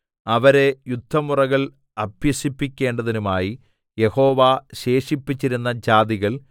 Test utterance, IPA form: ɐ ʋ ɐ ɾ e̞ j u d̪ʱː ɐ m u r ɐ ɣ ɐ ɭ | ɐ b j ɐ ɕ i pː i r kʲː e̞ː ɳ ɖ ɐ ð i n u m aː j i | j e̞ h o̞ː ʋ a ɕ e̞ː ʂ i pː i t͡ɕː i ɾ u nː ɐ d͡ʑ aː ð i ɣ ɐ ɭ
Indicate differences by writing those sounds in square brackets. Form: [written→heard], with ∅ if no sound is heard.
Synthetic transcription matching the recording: ɐ ʋ ɐ ɾ e̞ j u d̪ʱː ɐ m u r ɐ ɣ ɐ ɭ | ɐ b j ɐ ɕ i pː i [r→∅] kʲː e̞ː ɳ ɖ ɐ ð i n u m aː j i | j e̞ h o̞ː ʋ a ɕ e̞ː ʂ i pː i t͡ɕː i ɾ u nː ɐ d͡ʑ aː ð i ɣ ɐ ɭ